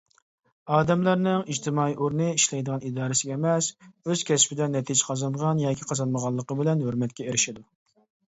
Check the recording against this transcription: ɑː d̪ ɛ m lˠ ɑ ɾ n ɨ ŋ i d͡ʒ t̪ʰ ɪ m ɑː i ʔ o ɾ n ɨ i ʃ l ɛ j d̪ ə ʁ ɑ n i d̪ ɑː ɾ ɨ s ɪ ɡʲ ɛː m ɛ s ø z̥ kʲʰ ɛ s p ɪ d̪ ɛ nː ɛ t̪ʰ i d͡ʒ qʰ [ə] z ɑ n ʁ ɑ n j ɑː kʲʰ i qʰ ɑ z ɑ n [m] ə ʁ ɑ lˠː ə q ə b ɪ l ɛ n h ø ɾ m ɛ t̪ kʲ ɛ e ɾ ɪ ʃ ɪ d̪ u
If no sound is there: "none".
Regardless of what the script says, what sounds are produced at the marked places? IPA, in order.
ɑ, m

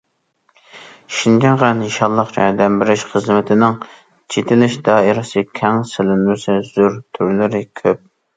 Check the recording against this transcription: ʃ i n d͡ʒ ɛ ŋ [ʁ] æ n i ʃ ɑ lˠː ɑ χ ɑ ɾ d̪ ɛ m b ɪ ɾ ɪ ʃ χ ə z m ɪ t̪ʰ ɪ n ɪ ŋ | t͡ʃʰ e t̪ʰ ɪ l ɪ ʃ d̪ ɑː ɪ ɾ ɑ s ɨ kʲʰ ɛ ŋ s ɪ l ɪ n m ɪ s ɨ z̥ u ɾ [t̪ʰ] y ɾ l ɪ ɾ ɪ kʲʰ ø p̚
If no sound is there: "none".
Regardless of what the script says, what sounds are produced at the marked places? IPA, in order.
ʁ, t̪ʰ

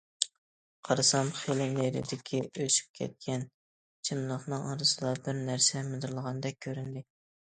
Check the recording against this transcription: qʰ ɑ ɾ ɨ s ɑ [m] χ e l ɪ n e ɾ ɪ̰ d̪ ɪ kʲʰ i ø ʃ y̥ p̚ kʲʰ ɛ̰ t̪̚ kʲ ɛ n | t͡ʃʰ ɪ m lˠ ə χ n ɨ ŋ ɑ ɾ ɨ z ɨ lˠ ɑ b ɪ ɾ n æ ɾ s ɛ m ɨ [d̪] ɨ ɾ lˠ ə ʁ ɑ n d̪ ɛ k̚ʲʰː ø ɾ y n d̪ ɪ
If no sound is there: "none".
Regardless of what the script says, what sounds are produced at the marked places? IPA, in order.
m, d̪

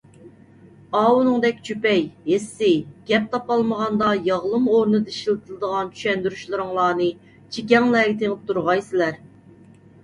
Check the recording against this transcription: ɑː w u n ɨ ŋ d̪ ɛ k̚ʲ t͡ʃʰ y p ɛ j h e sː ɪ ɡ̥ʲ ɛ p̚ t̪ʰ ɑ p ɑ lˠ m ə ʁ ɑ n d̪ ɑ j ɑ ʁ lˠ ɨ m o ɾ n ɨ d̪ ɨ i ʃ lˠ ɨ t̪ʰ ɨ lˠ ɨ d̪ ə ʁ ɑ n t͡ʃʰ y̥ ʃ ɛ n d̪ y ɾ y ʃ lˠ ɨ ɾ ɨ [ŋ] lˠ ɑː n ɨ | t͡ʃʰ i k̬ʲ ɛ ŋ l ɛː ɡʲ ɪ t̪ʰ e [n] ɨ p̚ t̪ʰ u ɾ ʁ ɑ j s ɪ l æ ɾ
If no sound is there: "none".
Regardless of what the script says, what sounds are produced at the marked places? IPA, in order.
ŋ, ŋ

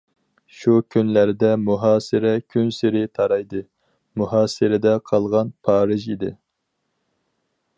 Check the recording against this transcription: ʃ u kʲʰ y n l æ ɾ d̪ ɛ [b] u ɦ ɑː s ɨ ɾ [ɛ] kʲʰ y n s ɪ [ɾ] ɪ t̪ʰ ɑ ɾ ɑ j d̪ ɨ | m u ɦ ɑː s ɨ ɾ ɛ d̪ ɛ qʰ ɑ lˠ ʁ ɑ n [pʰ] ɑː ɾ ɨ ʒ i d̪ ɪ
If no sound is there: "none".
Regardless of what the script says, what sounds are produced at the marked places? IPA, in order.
m, ɛ, ɾ, pʰ

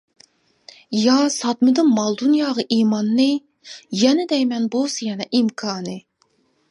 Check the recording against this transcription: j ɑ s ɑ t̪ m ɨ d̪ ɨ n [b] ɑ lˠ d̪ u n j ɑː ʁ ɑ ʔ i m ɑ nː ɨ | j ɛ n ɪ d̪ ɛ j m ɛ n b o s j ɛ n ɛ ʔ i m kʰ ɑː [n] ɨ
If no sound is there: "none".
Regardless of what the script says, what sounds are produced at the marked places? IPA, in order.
m, n

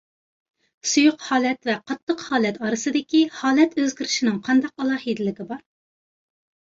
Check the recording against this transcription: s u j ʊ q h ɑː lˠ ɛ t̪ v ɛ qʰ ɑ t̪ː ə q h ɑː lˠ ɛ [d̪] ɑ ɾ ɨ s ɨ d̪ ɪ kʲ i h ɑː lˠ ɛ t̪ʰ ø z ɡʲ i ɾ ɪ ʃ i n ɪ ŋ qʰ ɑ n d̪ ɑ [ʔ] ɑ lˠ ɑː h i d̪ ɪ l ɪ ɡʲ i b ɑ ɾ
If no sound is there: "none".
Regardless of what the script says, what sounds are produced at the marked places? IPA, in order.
t̪, q

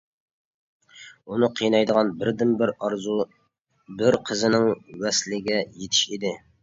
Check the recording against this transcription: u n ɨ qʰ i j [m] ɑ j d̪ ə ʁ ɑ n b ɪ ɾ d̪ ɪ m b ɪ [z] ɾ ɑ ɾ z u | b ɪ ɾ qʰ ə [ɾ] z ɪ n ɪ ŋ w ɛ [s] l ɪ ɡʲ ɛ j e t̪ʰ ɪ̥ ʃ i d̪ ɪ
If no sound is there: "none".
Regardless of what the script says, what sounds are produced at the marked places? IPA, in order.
n, none, none, s

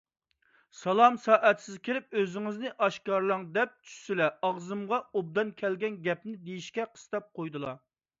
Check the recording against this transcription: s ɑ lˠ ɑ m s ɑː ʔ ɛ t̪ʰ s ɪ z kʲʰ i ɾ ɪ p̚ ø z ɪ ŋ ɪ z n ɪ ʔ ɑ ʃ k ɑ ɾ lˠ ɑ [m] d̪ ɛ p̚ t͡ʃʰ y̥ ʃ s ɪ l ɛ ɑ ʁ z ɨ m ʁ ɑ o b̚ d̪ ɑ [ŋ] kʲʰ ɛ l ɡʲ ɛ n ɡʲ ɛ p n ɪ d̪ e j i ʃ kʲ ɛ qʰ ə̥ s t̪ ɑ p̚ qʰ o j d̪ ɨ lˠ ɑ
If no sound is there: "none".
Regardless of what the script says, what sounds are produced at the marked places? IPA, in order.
ŋ, n

